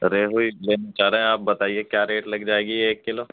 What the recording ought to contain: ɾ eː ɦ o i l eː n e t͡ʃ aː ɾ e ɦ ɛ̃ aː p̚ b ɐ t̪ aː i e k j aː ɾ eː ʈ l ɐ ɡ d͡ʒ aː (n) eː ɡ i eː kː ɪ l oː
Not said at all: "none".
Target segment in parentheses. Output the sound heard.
none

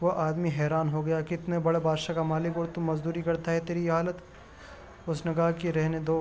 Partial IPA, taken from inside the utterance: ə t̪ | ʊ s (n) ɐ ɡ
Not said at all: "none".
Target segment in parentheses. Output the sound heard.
n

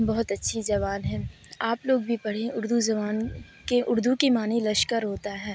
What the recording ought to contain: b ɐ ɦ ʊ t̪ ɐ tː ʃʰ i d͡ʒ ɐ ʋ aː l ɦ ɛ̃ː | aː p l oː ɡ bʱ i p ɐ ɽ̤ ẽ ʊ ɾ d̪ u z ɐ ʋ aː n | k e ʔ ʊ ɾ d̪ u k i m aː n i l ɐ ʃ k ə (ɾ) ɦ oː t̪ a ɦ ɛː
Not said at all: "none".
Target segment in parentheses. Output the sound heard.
ɾ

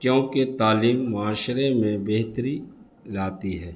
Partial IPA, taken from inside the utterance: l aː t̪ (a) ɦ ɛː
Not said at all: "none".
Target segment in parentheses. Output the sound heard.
i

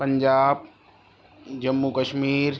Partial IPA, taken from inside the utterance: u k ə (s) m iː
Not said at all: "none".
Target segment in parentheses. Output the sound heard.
ʃ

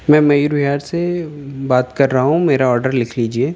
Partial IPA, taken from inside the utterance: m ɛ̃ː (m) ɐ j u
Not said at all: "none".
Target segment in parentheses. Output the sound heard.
m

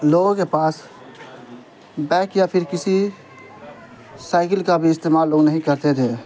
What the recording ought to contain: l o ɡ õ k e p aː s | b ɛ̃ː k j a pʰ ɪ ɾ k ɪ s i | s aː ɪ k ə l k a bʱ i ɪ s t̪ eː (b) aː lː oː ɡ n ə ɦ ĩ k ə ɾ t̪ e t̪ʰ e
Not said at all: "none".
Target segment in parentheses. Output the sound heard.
m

